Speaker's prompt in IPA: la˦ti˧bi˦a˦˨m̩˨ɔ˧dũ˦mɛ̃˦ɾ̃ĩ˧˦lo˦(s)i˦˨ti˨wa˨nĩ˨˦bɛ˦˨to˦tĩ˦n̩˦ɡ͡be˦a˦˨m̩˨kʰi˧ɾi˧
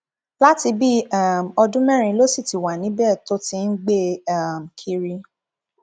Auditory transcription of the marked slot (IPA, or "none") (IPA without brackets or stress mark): s